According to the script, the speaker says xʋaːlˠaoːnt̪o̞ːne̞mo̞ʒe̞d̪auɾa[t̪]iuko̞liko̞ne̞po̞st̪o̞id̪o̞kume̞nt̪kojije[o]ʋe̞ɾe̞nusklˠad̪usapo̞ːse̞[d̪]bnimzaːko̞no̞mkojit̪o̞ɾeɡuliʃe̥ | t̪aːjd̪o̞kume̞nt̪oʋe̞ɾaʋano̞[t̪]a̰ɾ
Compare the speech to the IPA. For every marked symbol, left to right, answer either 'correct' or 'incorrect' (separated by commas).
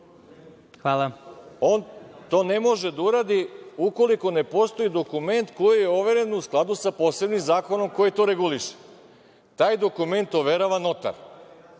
incorrect, correct, incorrect, correct